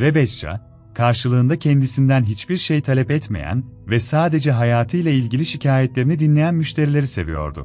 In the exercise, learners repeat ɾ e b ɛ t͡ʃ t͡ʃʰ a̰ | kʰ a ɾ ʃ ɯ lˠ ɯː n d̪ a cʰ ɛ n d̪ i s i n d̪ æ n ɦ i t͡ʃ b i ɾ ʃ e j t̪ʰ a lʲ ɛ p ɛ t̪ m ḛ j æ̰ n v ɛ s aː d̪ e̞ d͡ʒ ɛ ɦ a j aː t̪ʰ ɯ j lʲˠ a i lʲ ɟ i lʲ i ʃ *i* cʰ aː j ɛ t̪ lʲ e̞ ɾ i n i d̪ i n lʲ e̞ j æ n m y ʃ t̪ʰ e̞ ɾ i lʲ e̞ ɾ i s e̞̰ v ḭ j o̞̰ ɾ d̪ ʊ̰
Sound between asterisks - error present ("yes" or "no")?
no